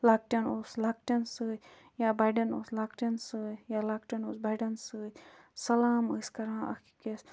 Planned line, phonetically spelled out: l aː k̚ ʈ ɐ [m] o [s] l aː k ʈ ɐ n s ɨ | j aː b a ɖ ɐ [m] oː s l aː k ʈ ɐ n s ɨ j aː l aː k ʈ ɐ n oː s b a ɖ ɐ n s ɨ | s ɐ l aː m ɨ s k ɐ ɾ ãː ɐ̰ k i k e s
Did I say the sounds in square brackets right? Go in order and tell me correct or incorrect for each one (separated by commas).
incorrect, correct, incorrect